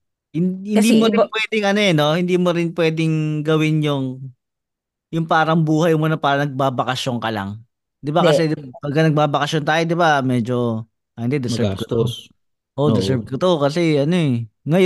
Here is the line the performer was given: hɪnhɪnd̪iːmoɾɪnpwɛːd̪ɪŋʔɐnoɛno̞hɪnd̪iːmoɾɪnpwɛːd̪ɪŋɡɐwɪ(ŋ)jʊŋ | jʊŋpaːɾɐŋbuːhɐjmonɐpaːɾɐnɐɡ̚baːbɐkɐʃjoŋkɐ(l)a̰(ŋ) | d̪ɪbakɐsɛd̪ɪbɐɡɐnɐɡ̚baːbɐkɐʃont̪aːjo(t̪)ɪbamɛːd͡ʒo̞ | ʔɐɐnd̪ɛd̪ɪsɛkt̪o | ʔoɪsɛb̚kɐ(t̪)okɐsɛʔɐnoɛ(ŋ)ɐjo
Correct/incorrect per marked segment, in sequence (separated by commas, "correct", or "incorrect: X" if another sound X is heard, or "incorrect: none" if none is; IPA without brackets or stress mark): incorrect: n, correct, correct, incorrect: d̪, correct, correct